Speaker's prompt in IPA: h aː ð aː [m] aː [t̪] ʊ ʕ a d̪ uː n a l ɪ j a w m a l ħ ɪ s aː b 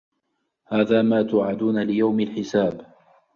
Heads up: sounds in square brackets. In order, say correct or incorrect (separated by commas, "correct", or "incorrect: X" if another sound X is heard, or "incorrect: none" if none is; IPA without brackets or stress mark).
correct, correct